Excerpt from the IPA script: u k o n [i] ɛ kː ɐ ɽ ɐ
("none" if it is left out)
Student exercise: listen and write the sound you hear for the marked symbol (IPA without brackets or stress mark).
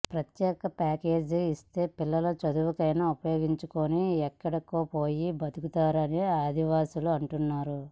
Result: i